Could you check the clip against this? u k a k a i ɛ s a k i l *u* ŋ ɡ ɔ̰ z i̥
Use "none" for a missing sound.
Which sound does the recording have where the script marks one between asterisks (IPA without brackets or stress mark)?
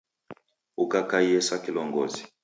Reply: ɔ